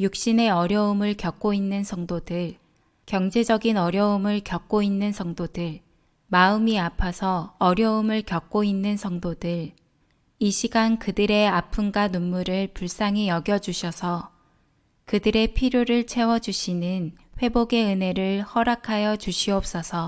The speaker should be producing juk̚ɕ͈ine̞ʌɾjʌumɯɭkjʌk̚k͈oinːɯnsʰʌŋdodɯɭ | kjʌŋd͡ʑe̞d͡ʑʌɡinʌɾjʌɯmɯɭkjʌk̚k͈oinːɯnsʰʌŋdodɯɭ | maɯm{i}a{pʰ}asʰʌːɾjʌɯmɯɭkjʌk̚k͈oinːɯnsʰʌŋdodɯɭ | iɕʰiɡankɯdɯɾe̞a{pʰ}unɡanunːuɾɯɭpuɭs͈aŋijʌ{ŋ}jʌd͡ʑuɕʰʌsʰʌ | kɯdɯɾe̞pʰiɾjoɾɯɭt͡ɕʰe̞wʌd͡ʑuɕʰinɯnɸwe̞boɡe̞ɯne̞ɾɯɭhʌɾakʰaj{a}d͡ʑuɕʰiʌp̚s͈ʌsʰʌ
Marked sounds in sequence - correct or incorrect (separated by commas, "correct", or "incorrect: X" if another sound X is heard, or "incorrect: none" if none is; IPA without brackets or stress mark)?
correct, correct, correct, incorrect: ɡ, incorrect: ʌ